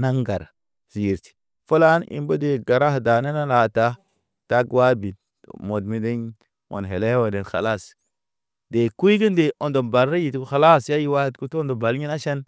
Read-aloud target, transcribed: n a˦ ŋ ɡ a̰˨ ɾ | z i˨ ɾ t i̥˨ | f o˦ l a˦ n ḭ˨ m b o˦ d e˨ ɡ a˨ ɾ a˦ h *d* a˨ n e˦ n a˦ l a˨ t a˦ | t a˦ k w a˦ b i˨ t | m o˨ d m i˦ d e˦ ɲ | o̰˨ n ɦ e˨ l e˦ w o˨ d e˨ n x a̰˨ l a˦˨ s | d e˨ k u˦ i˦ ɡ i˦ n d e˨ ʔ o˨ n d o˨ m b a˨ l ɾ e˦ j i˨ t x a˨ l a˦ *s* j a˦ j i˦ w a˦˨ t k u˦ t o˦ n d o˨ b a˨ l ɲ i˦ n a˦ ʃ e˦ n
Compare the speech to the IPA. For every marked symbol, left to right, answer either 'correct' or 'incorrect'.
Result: correct, correct

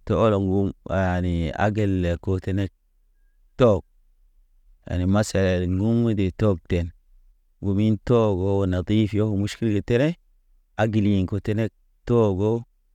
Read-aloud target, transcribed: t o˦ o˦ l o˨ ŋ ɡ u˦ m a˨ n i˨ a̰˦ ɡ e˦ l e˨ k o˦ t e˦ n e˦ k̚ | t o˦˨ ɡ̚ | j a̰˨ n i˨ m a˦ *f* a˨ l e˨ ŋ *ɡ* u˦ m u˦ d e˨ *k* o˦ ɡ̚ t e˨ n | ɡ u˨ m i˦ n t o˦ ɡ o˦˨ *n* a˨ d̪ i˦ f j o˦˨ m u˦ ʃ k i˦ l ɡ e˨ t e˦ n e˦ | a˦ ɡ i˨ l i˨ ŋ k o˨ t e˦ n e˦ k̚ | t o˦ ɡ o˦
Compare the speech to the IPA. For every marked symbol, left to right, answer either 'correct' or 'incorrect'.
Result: incorrect: s, correct, incorrect: t, correct

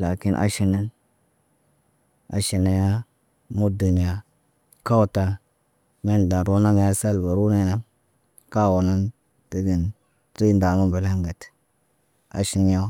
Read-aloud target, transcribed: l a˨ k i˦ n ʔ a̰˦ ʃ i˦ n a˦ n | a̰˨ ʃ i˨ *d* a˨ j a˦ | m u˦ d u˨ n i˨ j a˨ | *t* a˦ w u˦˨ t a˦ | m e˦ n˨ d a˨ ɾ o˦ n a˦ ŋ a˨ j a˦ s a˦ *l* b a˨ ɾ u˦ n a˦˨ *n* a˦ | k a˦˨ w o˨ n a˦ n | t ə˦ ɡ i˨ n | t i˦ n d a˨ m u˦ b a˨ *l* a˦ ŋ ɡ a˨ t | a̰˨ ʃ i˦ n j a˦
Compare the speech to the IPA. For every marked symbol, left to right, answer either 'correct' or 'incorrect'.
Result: incorrect: n, incorrect: k, correct, correct, correct

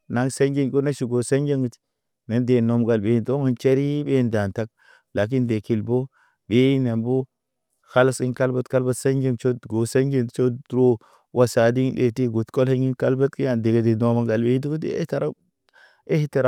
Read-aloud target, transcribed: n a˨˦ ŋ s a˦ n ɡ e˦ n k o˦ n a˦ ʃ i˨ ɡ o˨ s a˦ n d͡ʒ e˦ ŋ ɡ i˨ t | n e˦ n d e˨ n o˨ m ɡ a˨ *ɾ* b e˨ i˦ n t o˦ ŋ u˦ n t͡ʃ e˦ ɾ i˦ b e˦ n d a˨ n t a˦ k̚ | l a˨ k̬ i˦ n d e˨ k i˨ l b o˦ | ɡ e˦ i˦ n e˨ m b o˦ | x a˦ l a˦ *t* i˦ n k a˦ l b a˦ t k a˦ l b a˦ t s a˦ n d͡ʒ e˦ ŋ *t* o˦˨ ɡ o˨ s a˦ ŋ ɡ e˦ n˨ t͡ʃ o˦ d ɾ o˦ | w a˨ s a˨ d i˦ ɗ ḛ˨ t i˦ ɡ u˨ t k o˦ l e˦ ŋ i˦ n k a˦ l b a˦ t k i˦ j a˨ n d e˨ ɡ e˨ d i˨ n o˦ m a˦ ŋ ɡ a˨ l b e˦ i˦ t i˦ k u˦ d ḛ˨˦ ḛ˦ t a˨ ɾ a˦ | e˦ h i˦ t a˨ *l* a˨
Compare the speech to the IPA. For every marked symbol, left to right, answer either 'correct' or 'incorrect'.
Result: incorrect: l, incorrect: s, incorrect: t͡ʃ, incorrect: ɾ

